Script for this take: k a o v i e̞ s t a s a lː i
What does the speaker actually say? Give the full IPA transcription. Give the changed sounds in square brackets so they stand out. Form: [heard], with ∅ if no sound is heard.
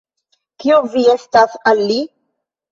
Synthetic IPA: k [i] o v i e̞ s t a s a lː i